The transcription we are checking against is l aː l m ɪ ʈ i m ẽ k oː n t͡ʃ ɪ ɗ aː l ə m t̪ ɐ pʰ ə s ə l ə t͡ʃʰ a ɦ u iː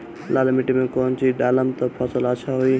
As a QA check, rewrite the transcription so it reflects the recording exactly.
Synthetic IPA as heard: l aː l m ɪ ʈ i m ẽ k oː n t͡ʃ i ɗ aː l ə m t̪ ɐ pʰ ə s ə l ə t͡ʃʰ a ɦ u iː